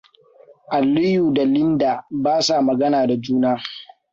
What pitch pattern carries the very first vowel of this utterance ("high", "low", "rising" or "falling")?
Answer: low